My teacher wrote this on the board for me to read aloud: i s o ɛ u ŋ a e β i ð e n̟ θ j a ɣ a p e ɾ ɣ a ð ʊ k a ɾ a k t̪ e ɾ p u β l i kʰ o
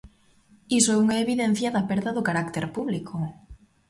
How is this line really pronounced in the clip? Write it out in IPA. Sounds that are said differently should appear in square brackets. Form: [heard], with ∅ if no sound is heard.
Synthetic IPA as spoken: i s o ɛ u ŋ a e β i ð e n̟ θ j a [ð] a p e ɾ [ð] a ð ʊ k a ɾ a k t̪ e ɾ p u β l i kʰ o